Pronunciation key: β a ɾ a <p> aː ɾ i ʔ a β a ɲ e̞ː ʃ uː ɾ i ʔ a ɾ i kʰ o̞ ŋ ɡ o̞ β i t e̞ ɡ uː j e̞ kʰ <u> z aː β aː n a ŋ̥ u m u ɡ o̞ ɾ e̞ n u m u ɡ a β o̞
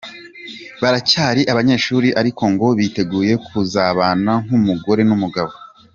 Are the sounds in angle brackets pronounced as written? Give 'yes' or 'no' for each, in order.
no, yes

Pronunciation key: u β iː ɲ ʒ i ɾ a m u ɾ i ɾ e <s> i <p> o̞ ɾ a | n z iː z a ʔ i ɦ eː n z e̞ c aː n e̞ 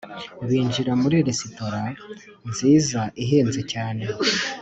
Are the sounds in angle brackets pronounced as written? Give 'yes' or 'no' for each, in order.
yes, no

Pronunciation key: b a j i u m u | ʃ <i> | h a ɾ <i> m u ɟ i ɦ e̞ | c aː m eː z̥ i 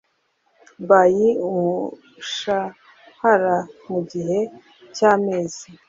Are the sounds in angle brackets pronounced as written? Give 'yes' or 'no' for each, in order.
no, no

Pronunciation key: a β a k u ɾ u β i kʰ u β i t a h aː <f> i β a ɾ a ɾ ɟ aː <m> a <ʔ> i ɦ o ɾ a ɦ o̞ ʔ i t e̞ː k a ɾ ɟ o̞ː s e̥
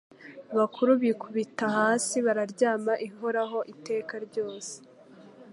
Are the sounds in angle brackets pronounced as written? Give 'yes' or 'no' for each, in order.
no, yes, yes

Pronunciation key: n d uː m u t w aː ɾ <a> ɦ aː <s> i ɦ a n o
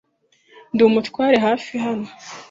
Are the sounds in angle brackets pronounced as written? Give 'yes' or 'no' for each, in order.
no, no

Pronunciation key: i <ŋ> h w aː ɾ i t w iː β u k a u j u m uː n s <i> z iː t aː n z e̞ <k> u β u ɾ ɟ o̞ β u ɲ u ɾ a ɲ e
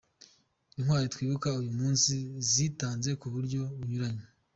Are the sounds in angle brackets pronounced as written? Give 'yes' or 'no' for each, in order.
no, yes, yes

